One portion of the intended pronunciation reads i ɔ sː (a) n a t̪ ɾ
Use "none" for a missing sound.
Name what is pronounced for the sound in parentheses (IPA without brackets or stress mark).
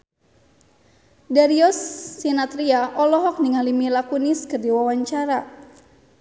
i